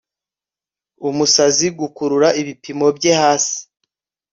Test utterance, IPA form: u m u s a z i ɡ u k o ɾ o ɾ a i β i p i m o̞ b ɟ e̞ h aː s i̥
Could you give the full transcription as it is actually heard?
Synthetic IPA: u m u s a z i ɡ u k u ɾ u ɾ a i β i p i m o̞ b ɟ e̞ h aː s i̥